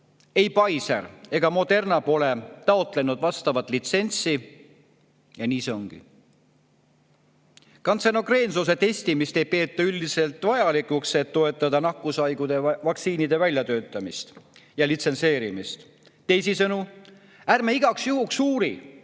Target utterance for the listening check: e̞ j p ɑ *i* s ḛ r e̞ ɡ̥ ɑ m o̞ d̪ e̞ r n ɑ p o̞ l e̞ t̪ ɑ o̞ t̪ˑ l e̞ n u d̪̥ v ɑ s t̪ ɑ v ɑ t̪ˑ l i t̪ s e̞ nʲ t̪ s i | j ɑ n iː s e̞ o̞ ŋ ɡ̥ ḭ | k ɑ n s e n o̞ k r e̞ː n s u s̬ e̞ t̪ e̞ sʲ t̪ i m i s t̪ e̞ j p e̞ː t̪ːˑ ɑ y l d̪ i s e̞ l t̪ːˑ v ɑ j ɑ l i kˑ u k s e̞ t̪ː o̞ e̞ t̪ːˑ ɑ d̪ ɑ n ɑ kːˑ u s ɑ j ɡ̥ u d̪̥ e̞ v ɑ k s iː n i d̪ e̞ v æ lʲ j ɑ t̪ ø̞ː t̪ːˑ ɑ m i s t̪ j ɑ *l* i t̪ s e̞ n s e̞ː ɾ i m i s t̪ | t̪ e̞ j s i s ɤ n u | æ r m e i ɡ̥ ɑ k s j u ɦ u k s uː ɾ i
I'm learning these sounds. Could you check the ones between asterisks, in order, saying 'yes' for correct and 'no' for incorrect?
no, yes

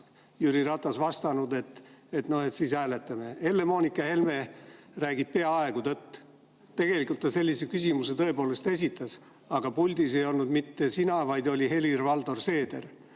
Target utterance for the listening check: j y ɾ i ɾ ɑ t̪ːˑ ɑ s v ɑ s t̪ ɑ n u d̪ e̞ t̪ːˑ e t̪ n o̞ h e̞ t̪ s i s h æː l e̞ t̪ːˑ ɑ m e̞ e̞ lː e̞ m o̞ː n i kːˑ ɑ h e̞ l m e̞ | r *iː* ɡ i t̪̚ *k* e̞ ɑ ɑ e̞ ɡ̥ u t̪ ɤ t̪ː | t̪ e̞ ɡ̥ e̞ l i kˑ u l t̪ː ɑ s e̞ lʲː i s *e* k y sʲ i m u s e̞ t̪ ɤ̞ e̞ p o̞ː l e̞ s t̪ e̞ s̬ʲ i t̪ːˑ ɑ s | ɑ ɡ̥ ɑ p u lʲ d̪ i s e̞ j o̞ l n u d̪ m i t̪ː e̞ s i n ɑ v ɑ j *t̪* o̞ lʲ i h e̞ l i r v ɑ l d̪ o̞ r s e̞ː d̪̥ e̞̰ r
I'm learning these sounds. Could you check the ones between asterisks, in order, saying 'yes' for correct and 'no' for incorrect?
no, no, yes, no

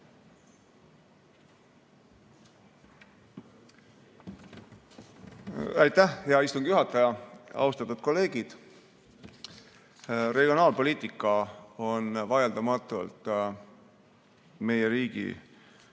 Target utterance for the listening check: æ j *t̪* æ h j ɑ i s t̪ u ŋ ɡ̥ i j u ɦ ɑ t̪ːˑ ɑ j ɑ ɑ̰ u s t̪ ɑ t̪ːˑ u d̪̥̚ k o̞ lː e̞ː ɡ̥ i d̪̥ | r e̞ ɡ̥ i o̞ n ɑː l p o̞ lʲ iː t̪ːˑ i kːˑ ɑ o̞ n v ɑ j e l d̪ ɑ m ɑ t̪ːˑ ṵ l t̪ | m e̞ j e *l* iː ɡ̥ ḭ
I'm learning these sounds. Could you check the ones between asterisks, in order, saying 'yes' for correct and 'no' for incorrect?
yes, no

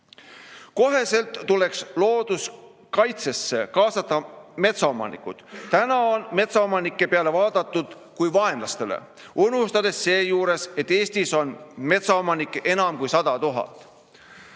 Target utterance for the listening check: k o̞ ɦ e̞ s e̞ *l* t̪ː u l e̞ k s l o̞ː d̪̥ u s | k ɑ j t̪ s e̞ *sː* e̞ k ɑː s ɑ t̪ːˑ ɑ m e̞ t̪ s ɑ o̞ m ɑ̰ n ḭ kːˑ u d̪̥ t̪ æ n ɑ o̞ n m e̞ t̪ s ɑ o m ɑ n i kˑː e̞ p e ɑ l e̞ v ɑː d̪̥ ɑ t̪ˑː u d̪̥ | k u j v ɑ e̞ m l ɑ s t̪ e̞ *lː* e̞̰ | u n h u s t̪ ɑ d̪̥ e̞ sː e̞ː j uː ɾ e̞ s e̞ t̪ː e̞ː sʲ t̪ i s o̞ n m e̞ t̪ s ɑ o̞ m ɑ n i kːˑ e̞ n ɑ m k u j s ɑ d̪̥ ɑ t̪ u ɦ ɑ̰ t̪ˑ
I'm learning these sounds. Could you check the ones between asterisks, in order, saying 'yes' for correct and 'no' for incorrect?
yes, yes, no

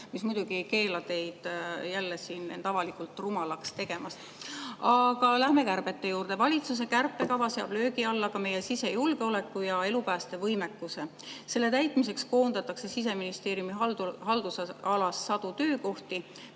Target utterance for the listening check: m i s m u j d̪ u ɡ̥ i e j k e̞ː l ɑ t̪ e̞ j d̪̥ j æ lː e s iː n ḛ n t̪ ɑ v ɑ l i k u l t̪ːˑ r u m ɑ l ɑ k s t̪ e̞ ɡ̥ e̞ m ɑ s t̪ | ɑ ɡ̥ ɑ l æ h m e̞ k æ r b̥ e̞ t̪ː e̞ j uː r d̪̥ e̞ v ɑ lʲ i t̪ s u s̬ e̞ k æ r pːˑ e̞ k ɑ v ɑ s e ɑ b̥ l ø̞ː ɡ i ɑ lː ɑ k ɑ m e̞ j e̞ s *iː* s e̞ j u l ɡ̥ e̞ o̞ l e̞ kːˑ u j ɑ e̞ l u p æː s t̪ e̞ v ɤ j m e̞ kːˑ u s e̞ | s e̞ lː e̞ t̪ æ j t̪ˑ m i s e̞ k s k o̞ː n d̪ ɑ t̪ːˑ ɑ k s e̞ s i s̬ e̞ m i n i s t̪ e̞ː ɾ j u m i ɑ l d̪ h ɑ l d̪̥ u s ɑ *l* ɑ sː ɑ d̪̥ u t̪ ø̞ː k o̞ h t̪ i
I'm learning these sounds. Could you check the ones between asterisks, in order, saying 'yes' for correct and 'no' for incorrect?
no, yes

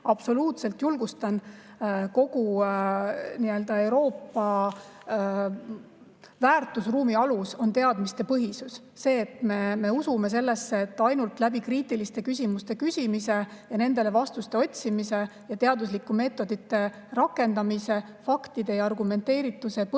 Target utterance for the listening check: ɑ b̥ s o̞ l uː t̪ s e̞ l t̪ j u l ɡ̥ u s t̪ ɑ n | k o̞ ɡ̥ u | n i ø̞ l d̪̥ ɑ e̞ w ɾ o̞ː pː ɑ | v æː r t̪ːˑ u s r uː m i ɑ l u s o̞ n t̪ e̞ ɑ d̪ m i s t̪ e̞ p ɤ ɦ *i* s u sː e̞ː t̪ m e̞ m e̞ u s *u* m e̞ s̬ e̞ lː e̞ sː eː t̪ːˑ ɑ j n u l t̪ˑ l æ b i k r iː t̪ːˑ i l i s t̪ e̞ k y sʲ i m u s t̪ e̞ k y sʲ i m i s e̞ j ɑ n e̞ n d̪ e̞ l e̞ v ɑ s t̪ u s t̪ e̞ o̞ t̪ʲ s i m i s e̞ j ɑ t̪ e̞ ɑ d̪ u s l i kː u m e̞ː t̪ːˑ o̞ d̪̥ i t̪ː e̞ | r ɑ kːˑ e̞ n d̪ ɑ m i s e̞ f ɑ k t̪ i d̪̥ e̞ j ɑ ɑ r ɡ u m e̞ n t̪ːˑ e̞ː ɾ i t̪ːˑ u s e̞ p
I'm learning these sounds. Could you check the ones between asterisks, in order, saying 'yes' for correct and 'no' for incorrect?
yes, yes

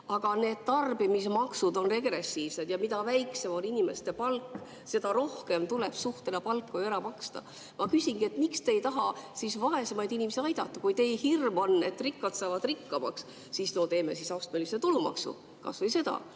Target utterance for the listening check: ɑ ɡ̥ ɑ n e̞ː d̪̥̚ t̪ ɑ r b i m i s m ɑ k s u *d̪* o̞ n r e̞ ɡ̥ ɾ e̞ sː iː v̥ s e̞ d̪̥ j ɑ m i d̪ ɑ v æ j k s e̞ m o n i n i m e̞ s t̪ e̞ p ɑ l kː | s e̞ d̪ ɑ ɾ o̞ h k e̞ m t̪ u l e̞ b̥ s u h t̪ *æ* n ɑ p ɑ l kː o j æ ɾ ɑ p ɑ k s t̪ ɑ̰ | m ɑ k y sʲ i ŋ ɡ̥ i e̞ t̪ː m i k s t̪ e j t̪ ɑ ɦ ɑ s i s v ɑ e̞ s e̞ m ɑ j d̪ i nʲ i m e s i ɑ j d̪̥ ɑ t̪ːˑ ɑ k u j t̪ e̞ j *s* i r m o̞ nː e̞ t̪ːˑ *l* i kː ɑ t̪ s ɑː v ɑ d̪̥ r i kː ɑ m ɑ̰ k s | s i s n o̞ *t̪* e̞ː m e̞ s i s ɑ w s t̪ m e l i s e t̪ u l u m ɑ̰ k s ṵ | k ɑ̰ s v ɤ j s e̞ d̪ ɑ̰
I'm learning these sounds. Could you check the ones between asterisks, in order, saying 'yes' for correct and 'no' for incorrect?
yes, no, no, no, yes

